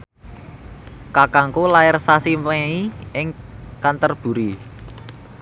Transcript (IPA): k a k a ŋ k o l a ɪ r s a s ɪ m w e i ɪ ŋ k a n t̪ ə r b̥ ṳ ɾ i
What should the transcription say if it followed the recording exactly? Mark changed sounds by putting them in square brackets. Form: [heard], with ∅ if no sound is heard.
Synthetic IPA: k a k a ŋ k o l a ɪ r s a s [i] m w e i ɪ ŋ k a n t̪ ə r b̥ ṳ ɾ i